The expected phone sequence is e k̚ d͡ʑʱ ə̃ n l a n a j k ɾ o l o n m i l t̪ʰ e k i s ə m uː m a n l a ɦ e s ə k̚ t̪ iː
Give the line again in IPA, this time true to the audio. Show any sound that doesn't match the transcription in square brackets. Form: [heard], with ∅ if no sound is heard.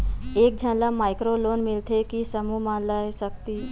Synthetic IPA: e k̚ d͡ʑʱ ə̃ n l a [m] a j k ɾ o l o n m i l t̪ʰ e k i s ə m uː m a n l a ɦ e s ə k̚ t̪ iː